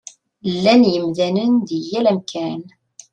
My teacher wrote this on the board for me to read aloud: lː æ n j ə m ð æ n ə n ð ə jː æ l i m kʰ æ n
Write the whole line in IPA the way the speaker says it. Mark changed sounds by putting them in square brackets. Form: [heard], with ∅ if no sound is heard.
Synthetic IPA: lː æ n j ə m ð æ n ə n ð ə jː æ l [æ] m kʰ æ n